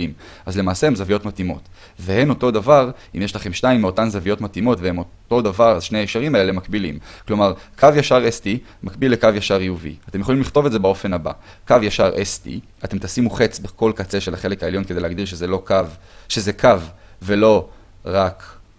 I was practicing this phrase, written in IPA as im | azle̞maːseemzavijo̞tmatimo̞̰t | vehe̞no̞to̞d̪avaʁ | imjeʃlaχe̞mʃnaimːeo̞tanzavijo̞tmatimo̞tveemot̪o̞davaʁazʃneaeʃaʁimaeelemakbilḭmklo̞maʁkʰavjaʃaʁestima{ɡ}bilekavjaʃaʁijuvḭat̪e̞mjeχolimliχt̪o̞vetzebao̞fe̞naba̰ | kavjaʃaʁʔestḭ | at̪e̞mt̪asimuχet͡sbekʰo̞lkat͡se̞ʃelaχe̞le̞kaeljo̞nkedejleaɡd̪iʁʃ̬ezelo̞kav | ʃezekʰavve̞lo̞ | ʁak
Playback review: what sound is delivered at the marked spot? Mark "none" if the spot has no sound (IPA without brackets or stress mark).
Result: k